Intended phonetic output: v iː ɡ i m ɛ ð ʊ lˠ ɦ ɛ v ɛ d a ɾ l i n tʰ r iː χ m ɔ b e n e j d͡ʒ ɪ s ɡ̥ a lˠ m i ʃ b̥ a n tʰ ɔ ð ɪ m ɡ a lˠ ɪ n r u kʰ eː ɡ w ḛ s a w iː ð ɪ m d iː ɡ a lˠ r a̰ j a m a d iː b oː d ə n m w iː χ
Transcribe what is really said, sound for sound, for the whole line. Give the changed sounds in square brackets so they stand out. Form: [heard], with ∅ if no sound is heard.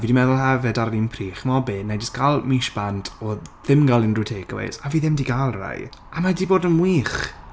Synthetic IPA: v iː [d] i m ɛ ð ʊ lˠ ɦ ɛ v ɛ d a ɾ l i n [pʰ] r iː χ m ɔ b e n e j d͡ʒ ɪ s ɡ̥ a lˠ m i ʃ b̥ a n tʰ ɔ ð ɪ m ɡ a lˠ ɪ n r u [tʰ] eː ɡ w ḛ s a [v] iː ð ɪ m d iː ɡ a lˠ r a̰ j a m a d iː b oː d ə n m w iː χ